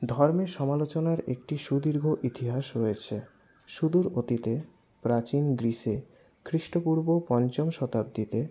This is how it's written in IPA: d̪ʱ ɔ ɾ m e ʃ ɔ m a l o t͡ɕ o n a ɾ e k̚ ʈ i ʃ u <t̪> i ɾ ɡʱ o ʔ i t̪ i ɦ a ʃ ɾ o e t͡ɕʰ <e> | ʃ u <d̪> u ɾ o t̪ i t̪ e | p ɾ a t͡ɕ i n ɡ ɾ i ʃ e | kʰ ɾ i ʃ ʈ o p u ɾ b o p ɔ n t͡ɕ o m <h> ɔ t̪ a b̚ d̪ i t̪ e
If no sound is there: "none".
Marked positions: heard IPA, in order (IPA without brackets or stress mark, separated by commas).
d̪, e, d̪, ʃ